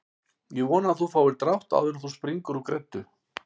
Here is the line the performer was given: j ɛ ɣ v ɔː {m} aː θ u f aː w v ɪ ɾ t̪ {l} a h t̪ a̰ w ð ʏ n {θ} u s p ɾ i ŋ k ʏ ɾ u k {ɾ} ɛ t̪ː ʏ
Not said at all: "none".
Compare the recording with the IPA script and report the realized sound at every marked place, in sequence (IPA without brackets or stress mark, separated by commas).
n, ɾ, θ, ɾ